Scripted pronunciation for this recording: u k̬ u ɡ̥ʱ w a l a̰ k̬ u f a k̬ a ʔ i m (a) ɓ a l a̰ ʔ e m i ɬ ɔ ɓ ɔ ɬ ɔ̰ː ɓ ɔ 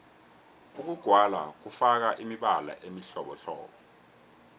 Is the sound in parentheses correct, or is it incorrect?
incorrect